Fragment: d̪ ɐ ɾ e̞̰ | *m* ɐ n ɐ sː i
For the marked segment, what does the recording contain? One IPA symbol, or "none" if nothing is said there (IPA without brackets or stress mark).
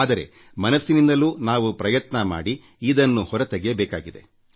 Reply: m